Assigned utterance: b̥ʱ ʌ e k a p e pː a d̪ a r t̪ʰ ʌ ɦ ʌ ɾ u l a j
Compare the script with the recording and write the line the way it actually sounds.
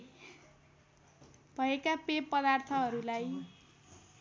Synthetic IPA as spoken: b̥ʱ ʌ e k a p e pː ʌ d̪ a r t̪ʰ ʌ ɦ ʌ ɾ u l a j